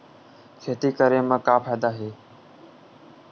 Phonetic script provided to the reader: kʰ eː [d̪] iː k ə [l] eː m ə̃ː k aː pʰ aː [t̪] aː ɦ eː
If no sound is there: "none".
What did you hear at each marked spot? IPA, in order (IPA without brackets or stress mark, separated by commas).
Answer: t̪, ɾ, d̪